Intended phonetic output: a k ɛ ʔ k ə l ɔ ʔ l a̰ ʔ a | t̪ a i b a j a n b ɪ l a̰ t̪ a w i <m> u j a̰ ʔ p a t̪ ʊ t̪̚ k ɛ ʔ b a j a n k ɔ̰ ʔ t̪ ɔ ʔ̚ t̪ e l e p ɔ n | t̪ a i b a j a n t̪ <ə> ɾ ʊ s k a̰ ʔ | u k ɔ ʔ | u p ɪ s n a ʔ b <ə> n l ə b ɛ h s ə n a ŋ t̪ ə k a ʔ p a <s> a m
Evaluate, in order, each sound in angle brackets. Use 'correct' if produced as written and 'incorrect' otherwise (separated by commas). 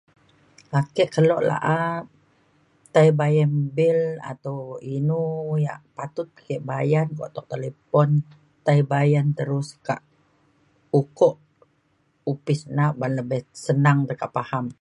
incorrect, correct, incorrect, incorrect